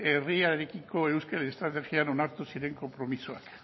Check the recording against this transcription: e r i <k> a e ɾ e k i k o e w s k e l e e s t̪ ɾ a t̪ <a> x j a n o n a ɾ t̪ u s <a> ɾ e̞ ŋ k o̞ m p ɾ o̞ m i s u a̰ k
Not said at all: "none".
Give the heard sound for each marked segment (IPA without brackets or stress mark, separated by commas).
none, e, i